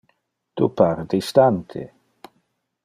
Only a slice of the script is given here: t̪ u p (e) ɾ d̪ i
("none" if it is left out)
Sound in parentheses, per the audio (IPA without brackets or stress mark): a